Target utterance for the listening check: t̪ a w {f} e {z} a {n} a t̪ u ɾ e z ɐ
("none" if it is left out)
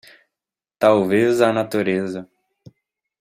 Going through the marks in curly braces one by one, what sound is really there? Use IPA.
v, z, n

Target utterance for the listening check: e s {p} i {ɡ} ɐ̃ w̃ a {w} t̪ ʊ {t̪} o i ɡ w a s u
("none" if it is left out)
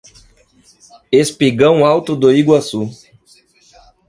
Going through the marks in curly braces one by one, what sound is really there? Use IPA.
p, ɡ, w, d̪

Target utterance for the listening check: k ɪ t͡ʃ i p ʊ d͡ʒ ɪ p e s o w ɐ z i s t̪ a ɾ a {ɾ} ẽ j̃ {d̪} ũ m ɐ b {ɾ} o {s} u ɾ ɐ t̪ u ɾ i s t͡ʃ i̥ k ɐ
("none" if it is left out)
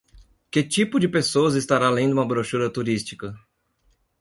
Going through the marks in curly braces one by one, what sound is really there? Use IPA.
l, d̪, ɾ, ʃ

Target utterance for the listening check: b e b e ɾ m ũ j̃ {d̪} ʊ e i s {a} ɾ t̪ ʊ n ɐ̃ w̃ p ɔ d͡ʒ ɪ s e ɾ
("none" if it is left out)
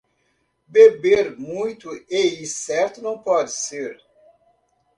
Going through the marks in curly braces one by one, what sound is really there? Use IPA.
t̪, ɛ

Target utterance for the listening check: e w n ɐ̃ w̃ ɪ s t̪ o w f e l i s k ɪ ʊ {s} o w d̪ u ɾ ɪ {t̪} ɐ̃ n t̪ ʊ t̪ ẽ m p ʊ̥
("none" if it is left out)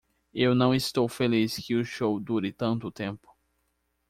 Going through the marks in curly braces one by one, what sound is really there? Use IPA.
ʃ, t̪

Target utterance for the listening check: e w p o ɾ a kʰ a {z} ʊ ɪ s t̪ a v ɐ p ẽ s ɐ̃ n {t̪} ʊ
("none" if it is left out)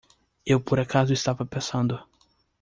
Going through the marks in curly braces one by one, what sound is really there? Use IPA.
z, d̪

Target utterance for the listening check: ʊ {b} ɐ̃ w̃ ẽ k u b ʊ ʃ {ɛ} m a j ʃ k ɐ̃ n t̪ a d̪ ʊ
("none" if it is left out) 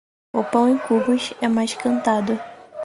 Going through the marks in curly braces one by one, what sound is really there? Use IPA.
p, ɛ

